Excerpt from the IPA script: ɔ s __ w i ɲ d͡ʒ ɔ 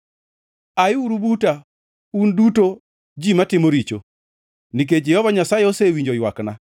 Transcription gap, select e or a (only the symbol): e